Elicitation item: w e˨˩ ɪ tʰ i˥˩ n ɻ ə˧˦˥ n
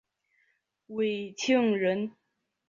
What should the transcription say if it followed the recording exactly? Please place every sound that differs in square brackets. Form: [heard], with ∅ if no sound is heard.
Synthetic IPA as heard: w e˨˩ ɪ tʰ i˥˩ [ŋ] ɻ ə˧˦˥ n